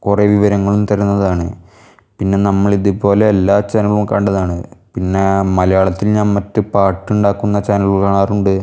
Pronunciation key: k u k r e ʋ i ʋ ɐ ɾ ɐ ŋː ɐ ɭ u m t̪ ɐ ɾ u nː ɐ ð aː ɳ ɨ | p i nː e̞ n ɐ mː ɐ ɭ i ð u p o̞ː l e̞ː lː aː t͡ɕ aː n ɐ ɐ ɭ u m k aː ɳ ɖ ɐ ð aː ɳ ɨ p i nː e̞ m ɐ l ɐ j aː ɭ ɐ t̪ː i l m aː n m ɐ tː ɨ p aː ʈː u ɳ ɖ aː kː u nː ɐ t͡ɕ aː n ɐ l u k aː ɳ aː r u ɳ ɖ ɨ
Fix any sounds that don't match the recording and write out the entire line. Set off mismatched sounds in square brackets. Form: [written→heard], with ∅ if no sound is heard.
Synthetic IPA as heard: k u [k→∅] r e ʋ i ʋ ɐ ɾ ɐ ŋː ɐ ɭ u m t̪ ɐ ɾ u nː ɐ ð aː ɳ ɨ | p i nː e̞ n ɐ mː ɐ ɭ i ð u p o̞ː l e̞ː lː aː t͡ɕ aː n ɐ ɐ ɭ u m k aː ɳ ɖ ɐ ð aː ɳ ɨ p i nː e̞ m ɐ l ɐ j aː ɭ ɐ t̪ː i l [m→ɲ] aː n m ɐ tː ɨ p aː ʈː u ɳ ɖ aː kː u nː ɐ t͡ɕ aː n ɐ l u k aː ɳ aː r u ɳ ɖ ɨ